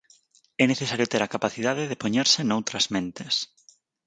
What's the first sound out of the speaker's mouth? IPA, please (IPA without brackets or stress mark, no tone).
ɛ